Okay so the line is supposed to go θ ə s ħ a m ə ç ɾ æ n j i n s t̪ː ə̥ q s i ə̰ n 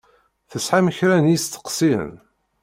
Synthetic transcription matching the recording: θ ə s ħ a m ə ç ɾ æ n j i s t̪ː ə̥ q s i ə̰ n